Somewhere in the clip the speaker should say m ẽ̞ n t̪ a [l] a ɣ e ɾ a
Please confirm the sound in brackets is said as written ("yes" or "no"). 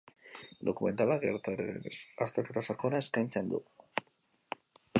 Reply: yes